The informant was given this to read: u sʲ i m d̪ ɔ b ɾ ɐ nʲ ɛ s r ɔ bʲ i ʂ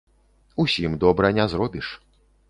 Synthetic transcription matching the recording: u sʲ i m d̪ ɔ b ɾ ɐ nʲ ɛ z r ɔ bʲ i ʂ